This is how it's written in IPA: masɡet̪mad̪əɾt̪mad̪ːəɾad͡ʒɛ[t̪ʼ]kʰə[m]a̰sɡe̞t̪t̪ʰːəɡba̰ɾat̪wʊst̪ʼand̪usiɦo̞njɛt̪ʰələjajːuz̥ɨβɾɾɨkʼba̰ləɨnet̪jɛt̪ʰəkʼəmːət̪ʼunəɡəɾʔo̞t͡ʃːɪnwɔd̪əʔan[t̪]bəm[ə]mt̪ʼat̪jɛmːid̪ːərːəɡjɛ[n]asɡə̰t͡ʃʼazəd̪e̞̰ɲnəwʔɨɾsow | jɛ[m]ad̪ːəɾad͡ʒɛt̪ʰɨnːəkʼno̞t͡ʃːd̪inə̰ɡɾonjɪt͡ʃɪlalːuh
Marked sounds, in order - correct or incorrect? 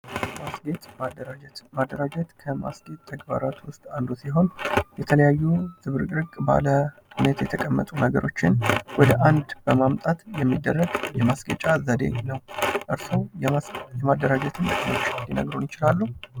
incorrect, correct, incorrect, incorrect, incorrect, correct

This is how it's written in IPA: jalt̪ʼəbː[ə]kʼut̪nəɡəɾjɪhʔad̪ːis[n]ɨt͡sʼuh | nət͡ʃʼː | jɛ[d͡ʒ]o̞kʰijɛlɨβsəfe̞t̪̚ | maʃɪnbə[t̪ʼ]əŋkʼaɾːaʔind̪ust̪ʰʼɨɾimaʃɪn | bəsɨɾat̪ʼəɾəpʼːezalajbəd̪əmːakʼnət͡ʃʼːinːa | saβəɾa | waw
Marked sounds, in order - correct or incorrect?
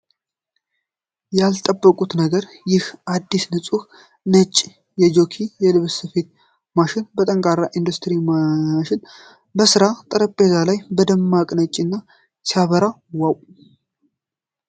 correct, correct, correct, correct

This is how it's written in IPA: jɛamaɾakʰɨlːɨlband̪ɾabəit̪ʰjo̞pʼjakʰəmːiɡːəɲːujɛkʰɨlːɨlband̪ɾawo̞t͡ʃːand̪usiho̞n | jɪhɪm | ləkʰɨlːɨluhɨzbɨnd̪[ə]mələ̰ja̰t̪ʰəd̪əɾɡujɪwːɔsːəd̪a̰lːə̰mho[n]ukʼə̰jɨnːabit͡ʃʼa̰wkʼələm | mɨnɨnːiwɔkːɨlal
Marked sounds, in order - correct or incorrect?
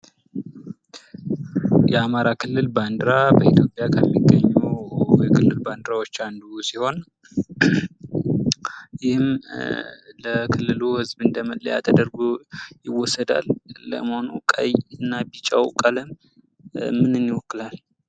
correct, correct

